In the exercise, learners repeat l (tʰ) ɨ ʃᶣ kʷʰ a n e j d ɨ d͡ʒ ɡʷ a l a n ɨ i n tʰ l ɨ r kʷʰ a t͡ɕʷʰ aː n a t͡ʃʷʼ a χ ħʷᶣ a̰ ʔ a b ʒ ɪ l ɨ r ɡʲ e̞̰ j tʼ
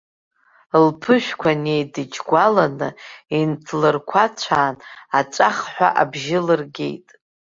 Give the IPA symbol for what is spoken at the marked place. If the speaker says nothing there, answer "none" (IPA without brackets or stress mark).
pʰ